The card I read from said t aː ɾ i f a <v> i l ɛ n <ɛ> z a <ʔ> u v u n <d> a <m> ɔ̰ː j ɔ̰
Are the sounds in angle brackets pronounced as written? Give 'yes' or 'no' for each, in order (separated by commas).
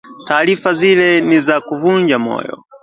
no, no, no, no, yes